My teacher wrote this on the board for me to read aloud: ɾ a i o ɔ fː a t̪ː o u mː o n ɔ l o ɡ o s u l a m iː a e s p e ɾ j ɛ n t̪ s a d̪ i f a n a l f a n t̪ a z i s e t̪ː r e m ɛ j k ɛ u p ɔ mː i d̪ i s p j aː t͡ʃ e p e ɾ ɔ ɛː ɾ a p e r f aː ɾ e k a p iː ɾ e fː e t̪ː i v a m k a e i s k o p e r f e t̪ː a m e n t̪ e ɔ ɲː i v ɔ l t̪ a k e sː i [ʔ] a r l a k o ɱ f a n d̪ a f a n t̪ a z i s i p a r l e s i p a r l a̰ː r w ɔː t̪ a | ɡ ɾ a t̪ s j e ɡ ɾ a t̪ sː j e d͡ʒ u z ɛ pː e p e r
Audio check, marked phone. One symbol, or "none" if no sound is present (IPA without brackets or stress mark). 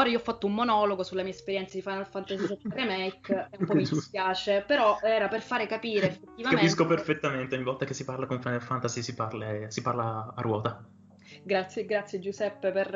p